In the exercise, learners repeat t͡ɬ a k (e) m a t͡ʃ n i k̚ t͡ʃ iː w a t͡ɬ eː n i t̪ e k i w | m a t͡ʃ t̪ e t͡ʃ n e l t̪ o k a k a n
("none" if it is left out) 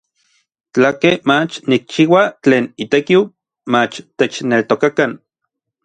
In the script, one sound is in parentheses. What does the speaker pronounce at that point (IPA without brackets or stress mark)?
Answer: e